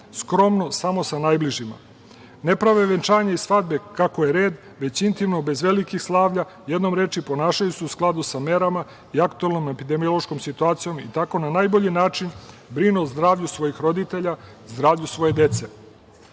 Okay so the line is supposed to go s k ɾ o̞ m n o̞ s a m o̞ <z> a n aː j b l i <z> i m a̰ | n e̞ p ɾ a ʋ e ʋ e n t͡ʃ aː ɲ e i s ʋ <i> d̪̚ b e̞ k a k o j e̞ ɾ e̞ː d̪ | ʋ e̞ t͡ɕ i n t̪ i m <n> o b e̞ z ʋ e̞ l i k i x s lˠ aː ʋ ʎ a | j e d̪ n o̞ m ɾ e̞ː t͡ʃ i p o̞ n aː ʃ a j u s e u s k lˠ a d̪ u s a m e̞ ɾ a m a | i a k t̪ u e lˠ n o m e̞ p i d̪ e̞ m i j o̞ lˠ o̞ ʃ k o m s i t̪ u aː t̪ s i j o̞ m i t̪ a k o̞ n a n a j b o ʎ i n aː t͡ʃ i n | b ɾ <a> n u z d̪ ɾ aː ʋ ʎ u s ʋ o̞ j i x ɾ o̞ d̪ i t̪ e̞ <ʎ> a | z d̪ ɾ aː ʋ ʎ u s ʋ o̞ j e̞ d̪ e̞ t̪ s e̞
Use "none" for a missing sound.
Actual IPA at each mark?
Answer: s, ʒ, a, n, i, ʎ

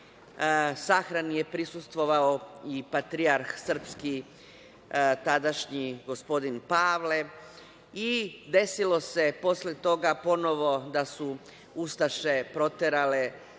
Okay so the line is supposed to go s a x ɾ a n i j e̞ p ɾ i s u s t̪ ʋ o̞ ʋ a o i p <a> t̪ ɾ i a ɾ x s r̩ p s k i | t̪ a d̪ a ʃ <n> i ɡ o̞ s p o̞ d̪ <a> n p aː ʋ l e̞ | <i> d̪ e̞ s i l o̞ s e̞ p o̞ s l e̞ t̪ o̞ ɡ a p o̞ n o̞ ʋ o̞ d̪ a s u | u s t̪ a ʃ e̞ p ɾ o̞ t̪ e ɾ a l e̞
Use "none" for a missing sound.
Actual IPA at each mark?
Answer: a, ɲ, i, i

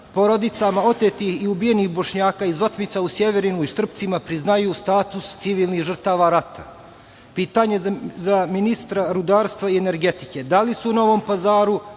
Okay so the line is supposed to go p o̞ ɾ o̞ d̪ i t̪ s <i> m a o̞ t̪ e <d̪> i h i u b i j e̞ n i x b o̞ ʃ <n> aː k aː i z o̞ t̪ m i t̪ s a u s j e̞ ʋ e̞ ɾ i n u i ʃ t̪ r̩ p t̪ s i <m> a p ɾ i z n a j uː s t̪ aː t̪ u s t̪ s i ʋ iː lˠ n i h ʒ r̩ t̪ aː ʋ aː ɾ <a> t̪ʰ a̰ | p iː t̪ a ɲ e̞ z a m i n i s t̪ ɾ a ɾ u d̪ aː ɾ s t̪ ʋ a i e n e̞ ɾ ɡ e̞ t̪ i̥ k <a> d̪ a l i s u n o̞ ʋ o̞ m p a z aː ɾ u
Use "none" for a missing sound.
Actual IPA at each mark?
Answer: a, t̪, ɲ, m, a, e

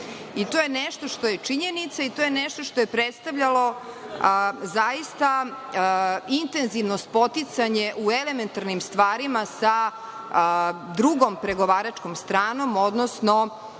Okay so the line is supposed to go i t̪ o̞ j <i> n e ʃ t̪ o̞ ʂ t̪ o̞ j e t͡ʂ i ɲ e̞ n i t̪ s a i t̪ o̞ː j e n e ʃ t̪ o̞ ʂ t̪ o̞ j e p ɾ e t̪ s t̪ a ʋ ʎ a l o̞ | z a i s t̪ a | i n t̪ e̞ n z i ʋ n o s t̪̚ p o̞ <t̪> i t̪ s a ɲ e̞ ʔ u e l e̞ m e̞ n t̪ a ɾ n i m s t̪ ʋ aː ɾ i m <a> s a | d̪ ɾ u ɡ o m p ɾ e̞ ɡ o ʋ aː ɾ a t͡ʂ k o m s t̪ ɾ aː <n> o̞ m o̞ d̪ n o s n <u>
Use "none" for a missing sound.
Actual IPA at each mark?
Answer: e, t̪, a, n, o

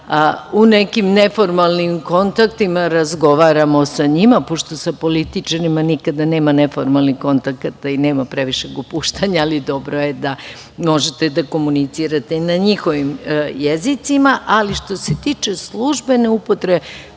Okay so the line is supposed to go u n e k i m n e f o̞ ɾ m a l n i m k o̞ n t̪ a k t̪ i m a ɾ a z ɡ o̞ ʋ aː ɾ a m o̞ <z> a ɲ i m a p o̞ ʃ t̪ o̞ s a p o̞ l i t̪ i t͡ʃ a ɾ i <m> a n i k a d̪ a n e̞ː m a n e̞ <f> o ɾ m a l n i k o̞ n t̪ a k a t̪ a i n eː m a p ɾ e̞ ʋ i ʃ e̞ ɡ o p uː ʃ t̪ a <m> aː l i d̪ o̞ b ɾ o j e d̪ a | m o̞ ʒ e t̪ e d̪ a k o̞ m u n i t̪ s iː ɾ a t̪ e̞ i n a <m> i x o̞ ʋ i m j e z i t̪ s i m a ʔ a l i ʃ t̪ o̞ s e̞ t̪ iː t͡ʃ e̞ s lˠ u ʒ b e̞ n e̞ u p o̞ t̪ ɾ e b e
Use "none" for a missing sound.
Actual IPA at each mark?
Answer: s, m, f, ɲ, ɲ

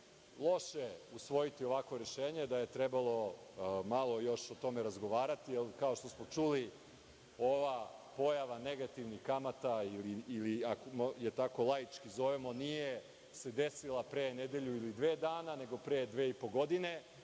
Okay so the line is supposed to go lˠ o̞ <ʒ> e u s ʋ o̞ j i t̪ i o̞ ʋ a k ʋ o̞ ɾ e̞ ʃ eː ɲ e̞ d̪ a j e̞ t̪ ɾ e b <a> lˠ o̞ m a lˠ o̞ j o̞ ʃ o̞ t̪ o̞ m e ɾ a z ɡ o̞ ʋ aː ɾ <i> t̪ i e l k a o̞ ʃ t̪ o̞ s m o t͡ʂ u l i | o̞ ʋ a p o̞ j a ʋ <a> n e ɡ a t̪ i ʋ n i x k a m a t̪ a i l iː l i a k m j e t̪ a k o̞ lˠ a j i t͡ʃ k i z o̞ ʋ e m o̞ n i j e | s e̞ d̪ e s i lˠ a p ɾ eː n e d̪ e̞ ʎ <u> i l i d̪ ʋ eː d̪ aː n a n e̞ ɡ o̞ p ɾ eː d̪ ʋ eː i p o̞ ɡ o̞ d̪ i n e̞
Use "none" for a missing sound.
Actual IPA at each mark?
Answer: ʃ, a, a, a, u

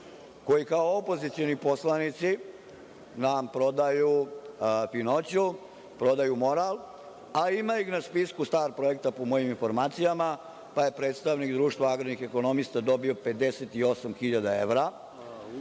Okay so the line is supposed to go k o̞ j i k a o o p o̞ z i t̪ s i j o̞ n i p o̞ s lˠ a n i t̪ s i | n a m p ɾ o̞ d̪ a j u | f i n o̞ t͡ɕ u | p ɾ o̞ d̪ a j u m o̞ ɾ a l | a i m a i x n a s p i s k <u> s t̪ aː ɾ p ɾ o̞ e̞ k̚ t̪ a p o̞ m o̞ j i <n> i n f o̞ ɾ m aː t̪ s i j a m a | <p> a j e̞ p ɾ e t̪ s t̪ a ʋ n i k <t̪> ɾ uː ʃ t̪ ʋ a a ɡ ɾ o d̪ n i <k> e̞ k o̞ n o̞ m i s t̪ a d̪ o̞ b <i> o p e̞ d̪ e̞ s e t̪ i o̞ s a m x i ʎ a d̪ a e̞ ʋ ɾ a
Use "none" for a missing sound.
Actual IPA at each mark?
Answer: u, m, p, d̪, x, i

